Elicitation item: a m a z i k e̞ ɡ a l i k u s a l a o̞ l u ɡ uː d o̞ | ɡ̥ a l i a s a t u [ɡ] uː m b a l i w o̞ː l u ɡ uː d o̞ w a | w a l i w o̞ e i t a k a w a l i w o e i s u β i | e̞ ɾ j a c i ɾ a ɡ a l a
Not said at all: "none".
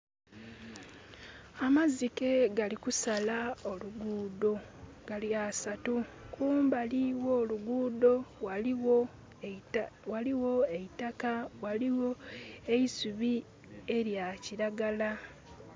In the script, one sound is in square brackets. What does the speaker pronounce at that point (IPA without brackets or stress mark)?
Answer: k